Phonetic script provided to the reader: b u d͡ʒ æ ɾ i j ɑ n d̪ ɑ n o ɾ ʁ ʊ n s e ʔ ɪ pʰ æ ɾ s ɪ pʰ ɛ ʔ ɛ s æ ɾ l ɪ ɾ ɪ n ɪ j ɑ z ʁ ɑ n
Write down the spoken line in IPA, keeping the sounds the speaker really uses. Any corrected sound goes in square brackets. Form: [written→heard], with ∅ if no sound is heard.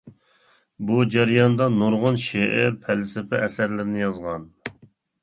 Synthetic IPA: b u d͡ʒ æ ɾ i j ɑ n d̪ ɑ n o ɾ ʁ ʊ n [s→ʃ] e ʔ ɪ pʰ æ [ɾ→l] s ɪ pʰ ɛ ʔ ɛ s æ ɾ l ɪ ɾ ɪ n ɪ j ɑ z ʁ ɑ n